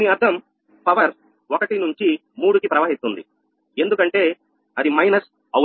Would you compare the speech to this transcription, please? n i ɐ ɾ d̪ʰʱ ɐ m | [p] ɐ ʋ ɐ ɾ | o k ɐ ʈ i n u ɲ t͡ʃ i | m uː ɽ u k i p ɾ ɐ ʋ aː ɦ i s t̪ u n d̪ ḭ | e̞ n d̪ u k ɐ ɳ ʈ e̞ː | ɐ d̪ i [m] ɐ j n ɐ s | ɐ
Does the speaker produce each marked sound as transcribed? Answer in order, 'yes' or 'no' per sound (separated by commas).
yes, yes